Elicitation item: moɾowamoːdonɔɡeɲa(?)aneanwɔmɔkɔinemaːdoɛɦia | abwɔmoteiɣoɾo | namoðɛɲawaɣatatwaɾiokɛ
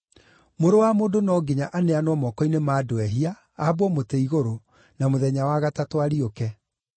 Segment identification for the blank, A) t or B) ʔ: B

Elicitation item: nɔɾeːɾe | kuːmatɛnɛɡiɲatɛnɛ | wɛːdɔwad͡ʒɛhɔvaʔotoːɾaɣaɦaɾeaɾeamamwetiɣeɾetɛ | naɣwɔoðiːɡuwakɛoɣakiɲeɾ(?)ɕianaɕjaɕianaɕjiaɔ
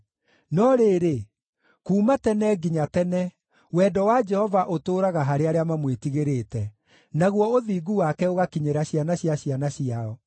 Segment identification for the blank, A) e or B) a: B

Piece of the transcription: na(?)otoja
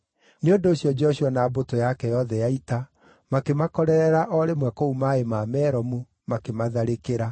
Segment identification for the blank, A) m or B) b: B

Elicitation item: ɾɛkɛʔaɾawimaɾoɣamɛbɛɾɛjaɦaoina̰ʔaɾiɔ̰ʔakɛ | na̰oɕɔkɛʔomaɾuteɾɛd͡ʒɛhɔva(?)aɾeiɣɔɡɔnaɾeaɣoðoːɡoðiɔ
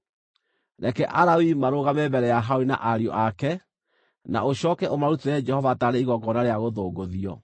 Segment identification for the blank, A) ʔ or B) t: B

